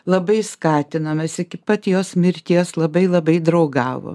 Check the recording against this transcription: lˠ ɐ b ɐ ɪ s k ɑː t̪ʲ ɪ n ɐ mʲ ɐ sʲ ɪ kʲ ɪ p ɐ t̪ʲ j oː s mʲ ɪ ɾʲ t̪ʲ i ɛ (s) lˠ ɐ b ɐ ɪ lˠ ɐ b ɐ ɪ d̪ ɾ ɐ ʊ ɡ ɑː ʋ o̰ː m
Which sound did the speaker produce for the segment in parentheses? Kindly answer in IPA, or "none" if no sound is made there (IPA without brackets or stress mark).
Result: s